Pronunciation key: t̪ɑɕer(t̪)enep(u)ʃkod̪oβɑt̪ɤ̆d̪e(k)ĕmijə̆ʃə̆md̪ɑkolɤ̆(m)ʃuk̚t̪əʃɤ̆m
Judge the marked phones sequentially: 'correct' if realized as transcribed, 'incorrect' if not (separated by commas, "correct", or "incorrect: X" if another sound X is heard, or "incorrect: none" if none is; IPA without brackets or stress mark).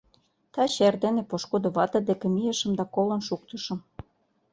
incorrect: d̪, incorrect: o, correct, incorrect: n